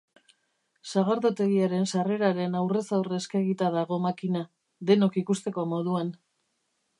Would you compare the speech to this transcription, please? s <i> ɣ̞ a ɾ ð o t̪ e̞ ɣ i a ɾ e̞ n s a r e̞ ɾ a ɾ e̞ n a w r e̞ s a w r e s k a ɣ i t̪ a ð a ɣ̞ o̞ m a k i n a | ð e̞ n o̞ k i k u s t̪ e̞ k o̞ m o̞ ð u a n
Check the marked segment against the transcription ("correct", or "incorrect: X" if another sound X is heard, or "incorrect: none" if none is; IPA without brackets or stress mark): incorrect: a